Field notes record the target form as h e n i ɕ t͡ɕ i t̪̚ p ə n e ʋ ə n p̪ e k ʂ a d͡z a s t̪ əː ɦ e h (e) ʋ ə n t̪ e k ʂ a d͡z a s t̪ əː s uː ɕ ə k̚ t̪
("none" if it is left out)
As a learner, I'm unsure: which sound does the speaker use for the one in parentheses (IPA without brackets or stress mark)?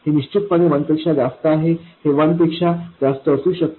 e